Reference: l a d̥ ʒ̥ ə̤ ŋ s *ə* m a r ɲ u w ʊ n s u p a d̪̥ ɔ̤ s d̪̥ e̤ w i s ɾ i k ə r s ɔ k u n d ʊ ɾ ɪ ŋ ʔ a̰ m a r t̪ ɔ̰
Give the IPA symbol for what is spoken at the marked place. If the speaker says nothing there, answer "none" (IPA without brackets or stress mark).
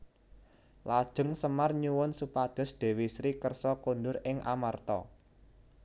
ə